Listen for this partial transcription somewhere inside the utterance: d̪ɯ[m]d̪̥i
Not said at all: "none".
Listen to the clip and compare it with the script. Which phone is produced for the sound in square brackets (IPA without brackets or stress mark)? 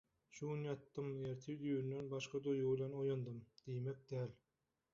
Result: m